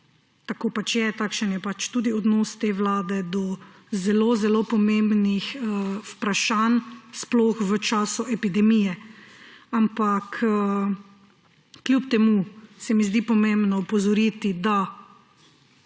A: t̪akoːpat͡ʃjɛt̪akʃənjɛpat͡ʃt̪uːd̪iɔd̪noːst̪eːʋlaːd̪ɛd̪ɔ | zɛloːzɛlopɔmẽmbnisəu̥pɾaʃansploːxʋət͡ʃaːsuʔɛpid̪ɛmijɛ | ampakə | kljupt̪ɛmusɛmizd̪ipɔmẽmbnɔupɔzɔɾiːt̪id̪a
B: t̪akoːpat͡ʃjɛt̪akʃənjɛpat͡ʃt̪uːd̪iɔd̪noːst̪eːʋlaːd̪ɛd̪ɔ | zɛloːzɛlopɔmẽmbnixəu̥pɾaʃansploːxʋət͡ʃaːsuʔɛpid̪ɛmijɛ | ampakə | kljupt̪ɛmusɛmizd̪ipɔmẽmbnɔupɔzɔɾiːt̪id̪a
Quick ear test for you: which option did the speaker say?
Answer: B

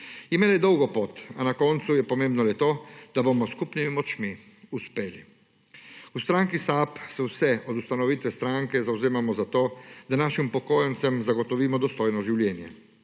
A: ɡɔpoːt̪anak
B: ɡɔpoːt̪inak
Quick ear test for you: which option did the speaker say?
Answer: A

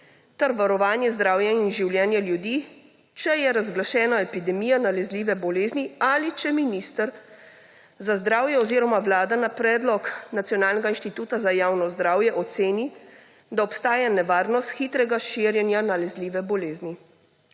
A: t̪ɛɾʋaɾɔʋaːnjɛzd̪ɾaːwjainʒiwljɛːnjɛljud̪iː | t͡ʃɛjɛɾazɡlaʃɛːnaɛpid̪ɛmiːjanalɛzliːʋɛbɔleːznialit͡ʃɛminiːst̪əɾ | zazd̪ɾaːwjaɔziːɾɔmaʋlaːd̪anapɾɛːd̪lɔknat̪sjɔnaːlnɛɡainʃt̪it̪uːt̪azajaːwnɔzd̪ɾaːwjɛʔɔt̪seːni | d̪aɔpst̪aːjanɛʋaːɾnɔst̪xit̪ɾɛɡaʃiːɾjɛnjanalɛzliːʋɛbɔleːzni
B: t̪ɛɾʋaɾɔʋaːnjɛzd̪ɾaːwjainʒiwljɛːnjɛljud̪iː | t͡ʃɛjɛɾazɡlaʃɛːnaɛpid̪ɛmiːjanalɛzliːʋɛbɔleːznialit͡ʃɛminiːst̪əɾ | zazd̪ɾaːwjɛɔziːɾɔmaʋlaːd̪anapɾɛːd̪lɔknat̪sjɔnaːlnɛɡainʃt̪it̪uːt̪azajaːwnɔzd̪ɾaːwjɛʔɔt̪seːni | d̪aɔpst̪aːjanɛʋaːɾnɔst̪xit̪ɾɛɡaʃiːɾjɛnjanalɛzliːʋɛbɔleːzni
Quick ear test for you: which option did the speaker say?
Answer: B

